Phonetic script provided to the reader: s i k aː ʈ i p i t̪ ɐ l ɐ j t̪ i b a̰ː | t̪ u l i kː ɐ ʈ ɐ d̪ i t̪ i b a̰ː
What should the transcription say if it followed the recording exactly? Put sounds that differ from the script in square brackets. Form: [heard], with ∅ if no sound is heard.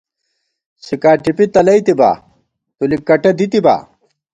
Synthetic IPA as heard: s i k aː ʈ i p i t̪ ɐ l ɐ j t̪ i b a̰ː | t̪ u l i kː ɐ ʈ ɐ d̪ i t̪ i b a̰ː

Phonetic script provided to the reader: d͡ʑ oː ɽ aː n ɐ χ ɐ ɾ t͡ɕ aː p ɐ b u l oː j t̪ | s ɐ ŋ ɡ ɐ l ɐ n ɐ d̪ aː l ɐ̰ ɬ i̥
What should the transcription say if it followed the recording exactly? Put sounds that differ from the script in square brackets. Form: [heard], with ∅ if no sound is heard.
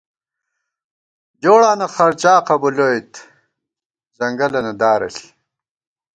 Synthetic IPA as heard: d͡ʑ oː ɽ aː n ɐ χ ɐ ɾ t͡ɕ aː [q] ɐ b u l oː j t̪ | [z] ɐ ŋ ɡ ɐ l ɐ n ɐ d̪ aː [ɾ] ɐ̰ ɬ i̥

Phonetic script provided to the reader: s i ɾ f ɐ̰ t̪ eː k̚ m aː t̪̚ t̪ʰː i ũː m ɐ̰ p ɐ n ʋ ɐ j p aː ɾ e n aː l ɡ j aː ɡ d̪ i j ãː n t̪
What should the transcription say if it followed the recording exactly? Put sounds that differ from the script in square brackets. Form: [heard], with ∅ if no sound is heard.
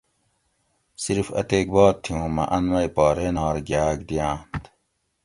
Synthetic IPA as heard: s i ɾ f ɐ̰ t̪ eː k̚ [b] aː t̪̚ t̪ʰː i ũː m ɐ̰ [ʔ] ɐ n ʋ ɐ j p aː ɾ e n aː [ɾ] ɡ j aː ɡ d̪ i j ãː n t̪

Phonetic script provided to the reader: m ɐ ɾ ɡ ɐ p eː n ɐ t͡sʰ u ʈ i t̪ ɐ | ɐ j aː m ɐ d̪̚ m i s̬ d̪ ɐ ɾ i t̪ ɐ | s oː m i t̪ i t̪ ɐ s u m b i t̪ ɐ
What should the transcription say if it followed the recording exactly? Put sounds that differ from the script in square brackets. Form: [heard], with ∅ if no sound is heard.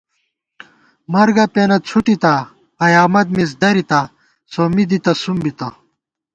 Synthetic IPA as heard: m ɐ ɾ ɡ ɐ p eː n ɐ t͡sʰ u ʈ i t̪ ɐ | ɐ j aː m ɐ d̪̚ m i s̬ d̪ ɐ ɾ i t̪ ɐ | s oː m i [d̪] i t̪ ɐ s u m b i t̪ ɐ

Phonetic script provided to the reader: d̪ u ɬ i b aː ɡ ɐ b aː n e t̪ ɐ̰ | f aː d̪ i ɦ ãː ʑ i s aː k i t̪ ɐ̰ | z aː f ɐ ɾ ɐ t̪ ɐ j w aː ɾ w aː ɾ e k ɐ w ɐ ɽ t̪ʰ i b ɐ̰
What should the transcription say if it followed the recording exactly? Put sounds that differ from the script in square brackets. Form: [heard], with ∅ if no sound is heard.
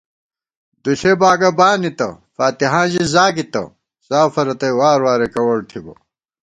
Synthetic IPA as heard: d̪ u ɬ [e] b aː ɡ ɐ b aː n [i] t̪ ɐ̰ | f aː [t̪] i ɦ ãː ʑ i [z] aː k i t̪ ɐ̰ | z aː f ɐ ɾ ɐ t̪ ɐ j w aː ɾ w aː ɾ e k ɐ w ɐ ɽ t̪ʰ i b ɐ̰

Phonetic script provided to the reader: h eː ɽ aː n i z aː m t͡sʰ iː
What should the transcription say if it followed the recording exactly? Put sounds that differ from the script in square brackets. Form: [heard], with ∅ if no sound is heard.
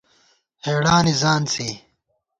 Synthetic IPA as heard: h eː ɽ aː n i z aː [n] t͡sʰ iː

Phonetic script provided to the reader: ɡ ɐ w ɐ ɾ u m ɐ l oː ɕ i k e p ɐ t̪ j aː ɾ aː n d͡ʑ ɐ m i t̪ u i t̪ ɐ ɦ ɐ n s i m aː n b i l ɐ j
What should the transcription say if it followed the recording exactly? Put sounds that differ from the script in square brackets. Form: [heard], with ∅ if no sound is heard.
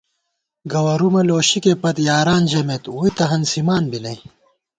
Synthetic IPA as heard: ɡ ɐ w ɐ ɾ u m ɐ l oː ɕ i k e p ɐ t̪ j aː ɾ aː n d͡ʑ ɐ m [e] t̪ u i t̪ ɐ ɦ ɐ n s i m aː n b i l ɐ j

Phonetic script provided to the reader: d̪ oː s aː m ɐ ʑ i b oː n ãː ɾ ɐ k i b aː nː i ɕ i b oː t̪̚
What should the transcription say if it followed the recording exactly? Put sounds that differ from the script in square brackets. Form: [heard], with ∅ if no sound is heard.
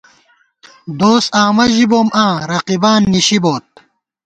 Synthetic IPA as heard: d̪ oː s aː m ɐ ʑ i b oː [m] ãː ɾ ɐ [q] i b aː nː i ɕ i b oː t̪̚

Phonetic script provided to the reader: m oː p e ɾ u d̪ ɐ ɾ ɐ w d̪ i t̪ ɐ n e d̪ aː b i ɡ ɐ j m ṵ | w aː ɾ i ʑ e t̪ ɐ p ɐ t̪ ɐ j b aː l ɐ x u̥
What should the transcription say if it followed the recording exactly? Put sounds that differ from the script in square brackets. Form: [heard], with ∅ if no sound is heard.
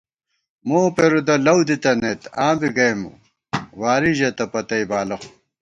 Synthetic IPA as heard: m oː p e ɾ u d̪ ɐ [l] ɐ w d̪ i t̪ ɐ n e [t̪] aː b i ɡ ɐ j m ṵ | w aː ɾ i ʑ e t̪ ɐ p ɐ t̪ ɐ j b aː l ɐ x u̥

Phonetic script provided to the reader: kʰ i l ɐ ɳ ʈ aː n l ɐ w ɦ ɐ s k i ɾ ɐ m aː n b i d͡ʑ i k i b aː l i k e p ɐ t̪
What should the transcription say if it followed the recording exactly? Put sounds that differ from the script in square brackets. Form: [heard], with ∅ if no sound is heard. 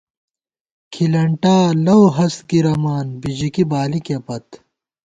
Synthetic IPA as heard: kʰ i l ɐ ɳ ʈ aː [∅] l ɐ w ɦ ɐ s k i ɾ ɐ m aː n b i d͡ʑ i k i b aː l i k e p ɐ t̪

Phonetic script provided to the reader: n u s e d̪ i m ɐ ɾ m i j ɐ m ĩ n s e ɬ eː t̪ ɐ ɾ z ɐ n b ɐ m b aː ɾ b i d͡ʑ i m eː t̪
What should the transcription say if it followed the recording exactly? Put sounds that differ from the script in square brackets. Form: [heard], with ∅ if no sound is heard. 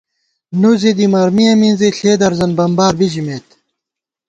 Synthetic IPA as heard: n u [z] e d̪ i m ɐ ɾ m i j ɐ m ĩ n [z] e ɬ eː [d̪] ɐ ɾ z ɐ n b ɐ m b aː ɾ b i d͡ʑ i m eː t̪

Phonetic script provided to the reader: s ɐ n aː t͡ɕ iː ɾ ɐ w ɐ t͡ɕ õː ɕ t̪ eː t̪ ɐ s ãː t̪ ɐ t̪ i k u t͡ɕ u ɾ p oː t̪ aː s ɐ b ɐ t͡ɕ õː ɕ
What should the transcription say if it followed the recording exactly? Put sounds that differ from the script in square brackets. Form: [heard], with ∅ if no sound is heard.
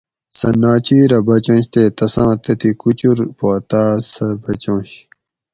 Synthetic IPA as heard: s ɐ n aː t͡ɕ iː ɾ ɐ [b] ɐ t͡ɕ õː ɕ t̪ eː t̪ ɐ s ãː t̪ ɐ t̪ i k u t͡ɕ u ɾ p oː t̪ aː s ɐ b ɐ t͡ɕ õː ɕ

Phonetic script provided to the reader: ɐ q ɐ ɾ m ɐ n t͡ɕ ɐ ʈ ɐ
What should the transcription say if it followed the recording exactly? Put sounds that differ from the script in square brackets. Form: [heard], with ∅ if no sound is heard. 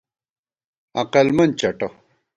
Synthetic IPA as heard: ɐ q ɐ [l] m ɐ n t͡ɕ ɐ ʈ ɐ

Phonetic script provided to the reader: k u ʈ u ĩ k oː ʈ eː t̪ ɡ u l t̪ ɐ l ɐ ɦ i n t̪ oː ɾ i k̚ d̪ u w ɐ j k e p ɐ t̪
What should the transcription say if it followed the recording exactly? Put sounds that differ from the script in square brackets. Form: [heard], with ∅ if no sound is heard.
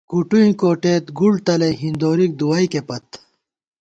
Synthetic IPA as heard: k u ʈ u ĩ k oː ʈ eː t̪ ɡ u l t̪ ɐ l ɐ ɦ i n [d̪] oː ɾ i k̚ d̪ u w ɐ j k e p ɐ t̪

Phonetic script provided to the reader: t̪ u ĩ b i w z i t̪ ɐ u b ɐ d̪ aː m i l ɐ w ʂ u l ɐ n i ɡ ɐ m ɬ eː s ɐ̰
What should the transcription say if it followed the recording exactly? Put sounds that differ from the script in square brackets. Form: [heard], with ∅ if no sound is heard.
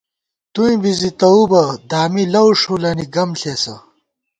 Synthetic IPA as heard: t̪ u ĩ b i [∅] z i t̪ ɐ u b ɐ d̪ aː m i l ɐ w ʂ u l ɐ n i ɡ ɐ m ɬ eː s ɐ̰

